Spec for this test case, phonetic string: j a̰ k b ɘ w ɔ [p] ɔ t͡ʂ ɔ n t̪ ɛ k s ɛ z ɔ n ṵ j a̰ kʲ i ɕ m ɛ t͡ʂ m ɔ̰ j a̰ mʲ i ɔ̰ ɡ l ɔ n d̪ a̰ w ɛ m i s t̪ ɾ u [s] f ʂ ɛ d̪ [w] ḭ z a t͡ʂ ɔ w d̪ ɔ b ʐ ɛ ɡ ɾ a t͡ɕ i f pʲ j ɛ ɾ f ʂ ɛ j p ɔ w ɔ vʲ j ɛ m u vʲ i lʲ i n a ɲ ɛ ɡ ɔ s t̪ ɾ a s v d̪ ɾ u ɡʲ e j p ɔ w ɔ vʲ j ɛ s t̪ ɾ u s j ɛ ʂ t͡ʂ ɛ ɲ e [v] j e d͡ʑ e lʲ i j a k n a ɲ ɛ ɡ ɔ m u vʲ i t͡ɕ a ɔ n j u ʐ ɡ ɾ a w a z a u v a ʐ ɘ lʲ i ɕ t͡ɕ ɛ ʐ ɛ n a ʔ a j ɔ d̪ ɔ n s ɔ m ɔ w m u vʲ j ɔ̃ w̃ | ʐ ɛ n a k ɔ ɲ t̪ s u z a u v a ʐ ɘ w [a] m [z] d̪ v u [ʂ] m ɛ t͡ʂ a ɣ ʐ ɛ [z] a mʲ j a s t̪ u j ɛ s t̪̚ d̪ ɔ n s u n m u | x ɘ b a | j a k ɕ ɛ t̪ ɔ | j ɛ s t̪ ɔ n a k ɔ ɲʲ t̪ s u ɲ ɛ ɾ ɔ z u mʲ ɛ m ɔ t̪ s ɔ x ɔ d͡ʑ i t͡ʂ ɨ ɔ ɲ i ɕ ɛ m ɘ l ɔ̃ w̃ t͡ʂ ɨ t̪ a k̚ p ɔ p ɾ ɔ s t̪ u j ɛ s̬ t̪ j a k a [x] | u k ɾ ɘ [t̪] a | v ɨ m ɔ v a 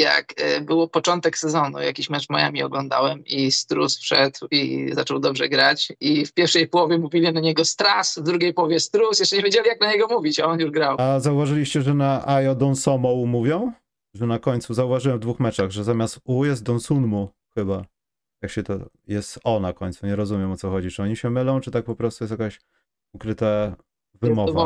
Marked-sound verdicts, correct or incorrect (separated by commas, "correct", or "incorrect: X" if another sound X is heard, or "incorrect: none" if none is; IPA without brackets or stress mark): correct, correct, correct, correct, incorrect: ɛ, incorrect: v, incorrect: x, correct, incorrect: ɕ, correct